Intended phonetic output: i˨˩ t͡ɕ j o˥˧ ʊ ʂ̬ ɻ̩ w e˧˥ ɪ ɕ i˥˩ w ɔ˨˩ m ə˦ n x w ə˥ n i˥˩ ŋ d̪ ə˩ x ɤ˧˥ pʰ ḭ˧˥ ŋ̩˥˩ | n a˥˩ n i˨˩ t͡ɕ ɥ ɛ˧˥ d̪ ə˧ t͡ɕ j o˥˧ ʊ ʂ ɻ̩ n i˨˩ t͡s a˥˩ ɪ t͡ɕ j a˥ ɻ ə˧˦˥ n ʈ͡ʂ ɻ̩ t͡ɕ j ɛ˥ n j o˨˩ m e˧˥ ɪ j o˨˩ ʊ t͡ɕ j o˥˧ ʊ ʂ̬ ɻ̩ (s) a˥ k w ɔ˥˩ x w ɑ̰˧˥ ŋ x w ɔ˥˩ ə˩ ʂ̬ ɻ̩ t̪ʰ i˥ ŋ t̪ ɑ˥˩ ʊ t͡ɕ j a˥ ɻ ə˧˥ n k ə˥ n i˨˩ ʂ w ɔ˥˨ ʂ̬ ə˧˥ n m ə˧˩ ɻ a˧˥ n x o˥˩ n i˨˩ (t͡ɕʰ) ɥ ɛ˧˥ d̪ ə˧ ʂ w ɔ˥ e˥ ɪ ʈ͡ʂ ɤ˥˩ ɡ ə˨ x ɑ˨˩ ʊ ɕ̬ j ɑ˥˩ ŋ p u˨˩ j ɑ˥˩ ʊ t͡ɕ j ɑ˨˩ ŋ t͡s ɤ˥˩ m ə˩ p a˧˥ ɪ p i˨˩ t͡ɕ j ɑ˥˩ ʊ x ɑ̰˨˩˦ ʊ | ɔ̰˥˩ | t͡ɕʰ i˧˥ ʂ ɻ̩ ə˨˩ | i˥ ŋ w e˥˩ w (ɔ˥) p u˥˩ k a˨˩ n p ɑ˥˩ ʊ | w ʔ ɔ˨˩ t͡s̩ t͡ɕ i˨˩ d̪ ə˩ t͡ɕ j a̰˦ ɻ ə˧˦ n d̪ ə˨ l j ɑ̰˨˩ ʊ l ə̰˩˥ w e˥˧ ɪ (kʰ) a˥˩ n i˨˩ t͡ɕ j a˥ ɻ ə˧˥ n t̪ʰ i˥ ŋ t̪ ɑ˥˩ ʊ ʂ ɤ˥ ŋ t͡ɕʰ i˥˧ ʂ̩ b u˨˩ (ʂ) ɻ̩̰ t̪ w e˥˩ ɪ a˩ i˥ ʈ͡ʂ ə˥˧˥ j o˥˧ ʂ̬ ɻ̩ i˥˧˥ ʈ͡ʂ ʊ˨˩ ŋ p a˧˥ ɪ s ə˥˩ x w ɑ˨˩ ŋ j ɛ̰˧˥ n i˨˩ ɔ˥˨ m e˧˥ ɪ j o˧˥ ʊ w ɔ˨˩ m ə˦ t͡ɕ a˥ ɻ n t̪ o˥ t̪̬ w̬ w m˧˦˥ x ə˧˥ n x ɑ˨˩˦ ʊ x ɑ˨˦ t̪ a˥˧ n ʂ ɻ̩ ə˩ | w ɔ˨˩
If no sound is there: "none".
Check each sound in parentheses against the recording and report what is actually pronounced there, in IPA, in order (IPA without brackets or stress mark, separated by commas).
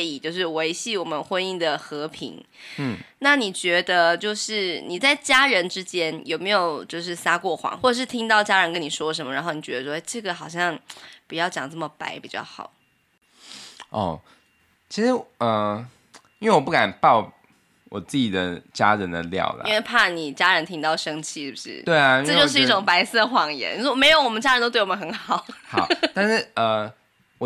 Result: s, t͡ɕ, ɔ˨˩, pʰ, ʂ